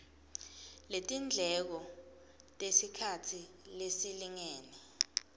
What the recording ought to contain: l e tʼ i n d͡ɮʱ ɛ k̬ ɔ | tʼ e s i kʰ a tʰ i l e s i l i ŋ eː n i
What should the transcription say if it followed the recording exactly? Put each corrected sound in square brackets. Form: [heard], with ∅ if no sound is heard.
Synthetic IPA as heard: l e tʼ i n d͡ɮʱ ɛ k̬ ɔ | tʼ e s i kʰ a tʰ i l e s i l i ŋ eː n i